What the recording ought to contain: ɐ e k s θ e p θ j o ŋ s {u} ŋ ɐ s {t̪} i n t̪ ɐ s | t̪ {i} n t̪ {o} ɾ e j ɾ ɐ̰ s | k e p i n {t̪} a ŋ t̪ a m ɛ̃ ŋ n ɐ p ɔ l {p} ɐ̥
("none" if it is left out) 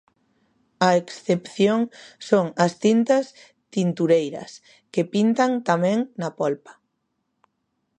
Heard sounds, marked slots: o, t̪, i, u, t̪, p

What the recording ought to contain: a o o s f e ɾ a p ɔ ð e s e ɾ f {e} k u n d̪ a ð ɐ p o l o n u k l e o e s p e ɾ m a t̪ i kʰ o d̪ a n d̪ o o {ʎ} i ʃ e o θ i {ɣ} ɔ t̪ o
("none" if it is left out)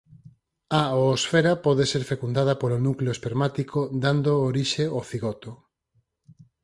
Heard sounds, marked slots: e, ɾ, ɣ

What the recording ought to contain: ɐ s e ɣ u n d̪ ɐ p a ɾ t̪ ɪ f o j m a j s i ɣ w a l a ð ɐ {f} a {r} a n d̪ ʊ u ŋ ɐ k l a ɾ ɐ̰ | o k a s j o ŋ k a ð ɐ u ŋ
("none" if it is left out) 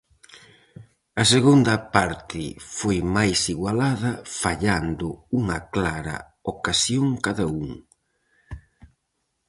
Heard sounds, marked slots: f, ʎ

